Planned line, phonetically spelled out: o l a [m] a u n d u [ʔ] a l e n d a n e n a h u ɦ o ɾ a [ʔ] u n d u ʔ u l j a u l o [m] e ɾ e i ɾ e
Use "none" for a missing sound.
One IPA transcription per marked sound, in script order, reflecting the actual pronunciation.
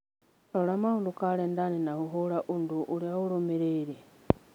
m, k, ʔ, m

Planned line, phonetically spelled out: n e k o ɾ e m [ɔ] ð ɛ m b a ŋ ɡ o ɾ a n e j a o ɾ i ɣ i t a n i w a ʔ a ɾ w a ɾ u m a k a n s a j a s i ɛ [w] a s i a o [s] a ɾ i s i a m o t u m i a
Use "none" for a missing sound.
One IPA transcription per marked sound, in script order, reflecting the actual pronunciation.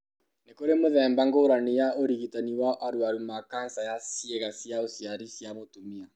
o, ɣ, s

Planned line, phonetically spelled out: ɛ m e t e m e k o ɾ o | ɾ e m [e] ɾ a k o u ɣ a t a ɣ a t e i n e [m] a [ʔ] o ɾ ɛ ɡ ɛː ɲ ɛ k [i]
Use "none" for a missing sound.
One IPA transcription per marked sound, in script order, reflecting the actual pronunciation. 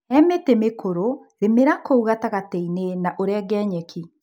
e, n, ʔ, i

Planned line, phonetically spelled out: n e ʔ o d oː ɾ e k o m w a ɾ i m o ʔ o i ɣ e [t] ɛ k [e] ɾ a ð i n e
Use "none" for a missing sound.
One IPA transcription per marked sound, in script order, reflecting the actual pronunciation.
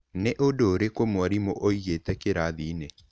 t, e

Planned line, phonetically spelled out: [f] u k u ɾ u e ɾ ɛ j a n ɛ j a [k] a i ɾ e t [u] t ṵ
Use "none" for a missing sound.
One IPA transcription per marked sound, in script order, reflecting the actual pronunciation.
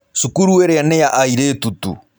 s, ʔ, u

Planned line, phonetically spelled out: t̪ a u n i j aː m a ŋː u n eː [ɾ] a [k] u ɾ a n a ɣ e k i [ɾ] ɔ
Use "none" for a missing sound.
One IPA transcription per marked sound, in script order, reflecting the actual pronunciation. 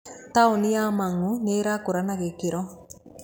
ɾ, k, ɾ

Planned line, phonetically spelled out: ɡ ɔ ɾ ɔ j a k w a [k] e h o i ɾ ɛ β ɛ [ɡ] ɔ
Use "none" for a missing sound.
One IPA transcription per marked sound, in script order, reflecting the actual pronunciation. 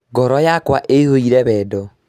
ʔ, d

